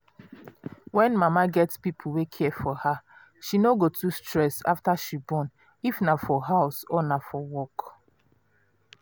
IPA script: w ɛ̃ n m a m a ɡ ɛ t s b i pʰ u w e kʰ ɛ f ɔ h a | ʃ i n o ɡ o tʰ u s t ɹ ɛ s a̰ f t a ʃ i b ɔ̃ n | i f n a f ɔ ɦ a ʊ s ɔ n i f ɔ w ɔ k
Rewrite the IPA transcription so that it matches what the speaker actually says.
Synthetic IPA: w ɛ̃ n m a m a ɡ ɛ t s p i pʰ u w e kʰ ɛ f ɔ h a | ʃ i n o ɡ o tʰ u s t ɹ ɛ s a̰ f t a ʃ i b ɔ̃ n | i f n a f ɔ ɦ a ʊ s ɔ n a f ɔ w ɔ k